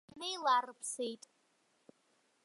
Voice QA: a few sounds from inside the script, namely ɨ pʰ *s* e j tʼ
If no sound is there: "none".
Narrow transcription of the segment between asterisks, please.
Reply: s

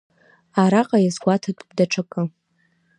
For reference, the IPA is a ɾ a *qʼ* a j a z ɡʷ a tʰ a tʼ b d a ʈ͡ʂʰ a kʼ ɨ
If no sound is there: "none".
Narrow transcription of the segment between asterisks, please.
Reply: qʼ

